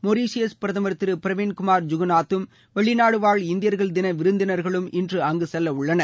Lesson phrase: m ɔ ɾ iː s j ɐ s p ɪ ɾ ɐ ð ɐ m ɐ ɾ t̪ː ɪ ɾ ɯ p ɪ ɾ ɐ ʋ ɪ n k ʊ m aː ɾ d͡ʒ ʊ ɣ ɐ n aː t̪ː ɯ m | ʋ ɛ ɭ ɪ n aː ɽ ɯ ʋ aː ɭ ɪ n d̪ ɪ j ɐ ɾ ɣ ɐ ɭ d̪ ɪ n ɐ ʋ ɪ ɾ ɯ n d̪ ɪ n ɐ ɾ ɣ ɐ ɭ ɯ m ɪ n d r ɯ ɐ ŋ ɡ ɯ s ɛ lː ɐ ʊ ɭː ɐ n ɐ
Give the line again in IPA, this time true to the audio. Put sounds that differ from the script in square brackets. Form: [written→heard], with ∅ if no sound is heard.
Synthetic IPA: m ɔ ɾ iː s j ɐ s p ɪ ɾ ɐ ð ɐ m ɐ ɾ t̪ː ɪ ɾ ɯ p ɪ ɾ ɐ ʋ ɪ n k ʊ m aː ɾ d͡ʒ ʊ ɣ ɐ n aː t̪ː ɯ m | ʋ ɛ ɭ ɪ n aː ɽ ɯ ʋ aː ɭ ɪ n d̪ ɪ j ɐ ɾ ɣ ɐ ɭ d̪ ɪ n ɐ ʋ ɪ ɾ ɯ n d̪ ɪ n ɐ ɾ ɣ ɐ ɭ ɯ m ɪ n d r ɯ ɐ ŋ ɡ ɯ s ɛ lː ɐ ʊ ɭː ɐ n ɐ